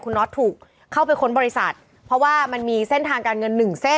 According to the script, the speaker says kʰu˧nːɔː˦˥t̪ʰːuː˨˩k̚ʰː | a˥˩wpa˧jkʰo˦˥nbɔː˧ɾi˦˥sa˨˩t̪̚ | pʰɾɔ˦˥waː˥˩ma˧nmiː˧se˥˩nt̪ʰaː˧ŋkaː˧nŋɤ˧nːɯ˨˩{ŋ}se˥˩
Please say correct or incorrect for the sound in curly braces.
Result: correct